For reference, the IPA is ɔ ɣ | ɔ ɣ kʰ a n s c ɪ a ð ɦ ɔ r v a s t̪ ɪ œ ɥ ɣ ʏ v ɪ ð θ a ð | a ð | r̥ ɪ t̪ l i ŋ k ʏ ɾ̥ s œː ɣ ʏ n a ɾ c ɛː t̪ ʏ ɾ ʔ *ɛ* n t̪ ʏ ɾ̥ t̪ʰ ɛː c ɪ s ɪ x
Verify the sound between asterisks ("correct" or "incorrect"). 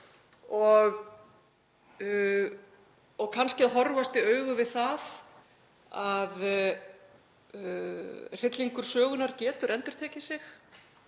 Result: correct